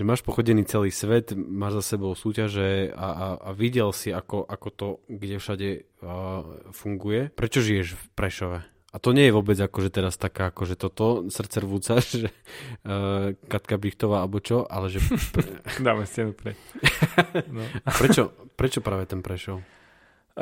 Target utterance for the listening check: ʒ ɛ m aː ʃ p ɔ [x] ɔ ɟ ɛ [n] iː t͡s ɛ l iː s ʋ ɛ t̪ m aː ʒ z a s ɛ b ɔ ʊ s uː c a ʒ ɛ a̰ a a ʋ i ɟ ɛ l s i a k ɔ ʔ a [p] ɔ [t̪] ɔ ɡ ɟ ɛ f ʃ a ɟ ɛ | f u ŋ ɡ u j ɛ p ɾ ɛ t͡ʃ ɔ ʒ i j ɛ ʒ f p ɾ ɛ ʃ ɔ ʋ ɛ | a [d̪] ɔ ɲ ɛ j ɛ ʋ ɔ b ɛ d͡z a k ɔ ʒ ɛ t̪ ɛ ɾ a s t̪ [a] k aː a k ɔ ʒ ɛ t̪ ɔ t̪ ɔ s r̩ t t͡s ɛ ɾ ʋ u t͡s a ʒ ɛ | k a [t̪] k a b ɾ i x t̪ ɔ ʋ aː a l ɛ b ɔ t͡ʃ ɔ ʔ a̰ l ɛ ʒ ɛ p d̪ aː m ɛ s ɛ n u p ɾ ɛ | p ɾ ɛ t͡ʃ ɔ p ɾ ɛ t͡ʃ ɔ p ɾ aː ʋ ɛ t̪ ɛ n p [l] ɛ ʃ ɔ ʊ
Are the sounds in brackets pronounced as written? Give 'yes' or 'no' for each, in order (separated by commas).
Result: yes, yes, no, yes, no, yes, yes, no